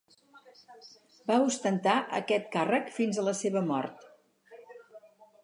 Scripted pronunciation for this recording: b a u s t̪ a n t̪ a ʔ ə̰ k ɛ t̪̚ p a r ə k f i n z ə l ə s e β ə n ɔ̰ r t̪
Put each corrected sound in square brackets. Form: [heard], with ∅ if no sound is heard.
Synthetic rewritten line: b a u s t̪ [ə] n t̪ a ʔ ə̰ k ɛ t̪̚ [k] a r ə k f i n z ə l ə s e β ə [m] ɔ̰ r t̪